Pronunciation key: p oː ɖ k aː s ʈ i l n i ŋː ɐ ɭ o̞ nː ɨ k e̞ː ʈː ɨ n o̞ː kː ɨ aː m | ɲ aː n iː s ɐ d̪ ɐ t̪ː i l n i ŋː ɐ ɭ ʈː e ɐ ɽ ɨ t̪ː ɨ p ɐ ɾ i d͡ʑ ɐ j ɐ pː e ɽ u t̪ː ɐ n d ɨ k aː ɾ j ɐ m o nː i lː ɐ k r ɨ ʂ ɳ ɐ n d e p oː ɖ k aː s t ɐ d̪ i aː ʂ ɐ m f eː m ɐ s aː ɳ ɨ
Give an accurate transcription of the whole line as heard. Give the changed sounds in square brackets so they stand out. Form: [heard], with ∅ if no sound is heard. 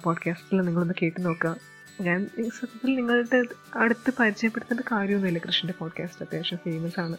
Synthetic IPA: p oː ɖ k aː s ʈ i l n i ŋː ɐ ɭ o̞ nː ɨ k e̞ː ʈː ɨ n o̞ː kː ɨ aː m | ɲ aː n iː s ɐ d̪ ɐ t̪ː i l n i ŋː ɐ ɭ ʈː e ɐ ɽ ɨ t̪ː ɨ p ɐ ɾ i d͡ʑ ɐ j ɐ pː e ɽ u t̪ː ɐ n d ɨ k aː ɾ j ɐ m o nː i lː ɐ k r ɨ ʂ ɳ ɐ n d e p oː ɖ k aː s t ɐ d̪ [j] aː ʂ ɐ m f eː m ɐ s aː ɳ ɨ